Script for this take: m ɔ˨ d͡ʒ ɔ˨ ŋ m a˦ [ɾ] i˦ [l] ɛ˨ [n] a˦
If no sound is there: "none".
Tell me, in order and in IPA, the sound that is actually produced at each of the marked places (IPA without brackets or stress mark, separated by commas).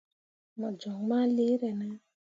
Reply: l, ɾ, n